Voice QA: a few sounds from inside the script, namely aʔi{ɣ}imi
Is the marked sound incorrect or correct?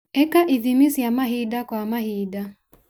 incorrect